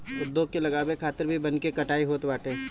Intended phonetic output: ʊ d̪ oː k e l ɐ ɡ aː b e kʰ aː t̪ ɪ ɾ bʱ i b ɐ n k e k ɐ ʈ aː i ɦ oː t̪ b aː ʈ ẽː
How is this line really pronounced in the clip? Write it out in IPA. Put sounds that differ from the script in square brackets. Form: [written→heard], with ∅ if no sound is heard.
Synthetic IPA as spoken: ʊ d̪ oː k e l ɐ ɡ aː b e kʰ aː t̪ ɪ ɾ bʱ i b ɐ n k e k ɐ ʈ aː i ɦ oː t̪ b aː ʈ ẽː

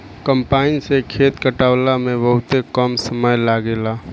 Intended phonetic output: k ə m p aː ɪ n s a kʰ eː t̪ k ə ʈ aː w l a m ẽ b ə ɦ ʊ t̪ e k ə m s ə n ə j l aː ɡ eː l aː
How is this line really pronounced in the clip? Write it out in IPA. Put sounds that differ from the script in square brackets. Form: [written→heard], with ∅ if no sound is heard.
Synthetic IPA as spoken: k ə m p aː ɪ n s [a→e] kʰ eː t̪ k ə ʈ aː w l a m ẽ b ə ɦ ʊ t̪ e k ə m s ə [n→m] ə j l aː ɡ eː l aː

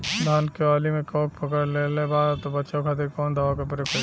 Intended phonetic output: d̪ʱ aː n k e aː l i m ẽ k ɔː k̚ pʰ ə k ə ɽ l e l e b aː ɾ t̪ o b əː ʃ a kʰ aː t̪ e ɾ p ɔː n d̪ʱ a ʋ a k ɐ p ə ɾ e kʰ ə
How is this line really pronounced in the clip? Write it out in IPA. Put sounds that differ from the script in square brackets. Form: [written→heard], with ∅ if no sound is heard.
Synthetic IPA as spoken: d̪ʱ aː n k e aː l i m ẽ k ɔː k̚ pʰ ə k ə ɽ l e l e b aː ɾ t̪ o b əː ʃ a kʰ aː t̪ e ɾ [p→k] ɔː n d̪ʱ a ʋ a k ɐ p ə ɾ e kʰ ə

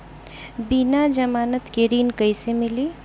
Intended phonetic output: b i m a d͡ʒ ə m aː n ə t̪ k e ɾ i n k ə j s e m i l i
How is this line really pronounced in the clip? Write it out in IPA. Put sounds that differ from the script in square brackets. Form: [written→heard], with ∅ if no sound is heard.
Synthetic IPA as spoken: b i [m→n] a d͡ʒ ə m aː n ə t̪ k e ɾ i n k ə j s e m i l i

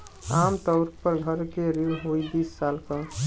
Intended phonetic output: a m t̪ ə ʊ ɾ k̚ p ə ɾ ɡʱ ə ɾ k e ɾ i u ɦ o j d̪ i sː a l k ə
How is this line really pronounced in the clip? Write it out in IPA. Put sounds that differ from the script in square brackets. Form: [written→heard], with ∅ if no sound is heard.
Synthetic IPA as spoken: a m t̪ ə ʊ ɾ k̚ p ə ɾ ɡʱ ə ɾ k e ɾ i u ɦ o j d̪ i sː a l k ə

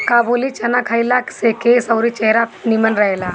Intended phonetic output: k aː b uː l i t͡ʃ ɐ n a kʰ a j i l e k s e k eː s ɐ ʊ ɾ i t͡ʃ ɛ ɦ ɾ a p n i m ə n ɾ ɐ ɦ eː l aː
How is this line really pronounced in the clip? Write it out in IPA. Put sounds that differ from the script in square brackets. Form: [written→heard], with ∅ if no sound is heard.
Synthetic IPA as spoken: k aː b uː l i t͡ʃ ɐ n a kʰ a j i l [e→a] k s e k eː s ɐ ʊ ɾ i t͡ʃ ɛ ɦ ɾ a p n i m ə n ɾ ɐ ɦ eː l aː

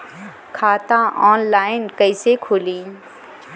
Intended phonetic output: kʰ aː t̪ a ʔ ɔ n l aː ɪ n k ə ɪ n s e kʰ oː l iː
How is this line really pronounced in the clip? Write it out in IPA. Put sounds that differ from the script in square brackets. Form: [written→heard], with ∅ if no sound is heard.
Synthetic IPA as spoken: kʰ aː t̪ a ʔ [ɔ→ɔː] n l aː ɪ n k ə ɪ [n→∅] s e kʰ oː l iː

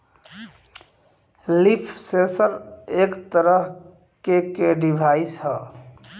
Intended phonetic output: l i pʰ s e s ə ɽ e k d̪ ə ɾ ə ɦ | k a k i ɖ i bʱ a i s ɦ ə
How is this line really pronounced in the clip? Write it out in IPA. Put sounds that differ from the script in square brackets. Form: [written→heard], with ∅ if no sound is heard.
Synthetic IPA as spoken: l i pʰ s e s ə [ɽ→ɾ] e k [d̪→t̪] ə ɾ ə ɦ | k [a→e] k [i→e] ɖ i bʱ a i s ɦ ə

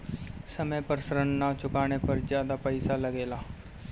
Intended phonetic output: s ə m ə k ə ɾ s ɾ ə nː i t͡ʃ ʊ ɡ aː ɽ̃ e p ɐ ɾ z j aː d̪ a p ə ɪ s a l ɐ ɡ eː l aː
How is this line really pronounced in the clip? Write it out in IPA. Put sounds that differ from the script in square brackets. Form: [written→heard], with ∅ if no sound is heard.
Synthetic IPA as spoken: s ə m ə [k→p] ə ɾ s ɾ ə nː [i→a] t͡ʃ ʊ [ɡ→k] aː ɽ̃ e p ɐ ɾ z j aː d̪ a p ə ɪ s a l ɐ ɡ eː l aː

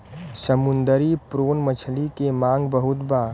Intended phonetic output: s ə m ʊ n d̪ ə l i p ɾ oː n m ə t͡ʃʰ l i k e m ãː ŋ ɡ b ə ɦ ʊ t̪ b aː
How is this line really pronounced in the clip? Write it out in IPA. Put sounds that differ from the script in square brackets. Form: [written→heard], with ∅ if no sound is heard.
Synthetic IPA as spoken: s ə m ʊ n d̪ ə [l→ɾ] i p ɾ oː n m ə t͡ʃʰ l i k e m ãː ŋ ɡ b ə ɦ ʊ t̪ b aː

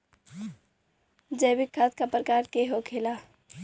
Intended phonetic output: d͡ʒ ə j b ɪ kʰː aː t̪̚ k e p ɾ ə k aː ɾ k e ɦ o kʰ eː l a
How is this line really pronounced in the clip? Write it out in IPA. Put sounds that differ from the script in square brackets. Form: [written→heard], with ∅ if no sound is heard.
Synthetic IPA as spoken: d͡ʒ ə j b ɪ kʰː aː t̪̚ k [e→a] p ɾ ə k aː ɾ k e ɦ o kʰ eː l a

